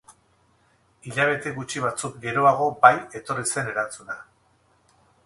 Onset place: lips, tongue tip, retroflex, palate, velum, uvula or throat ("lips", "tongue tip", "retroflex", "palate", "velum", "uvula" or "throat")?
palate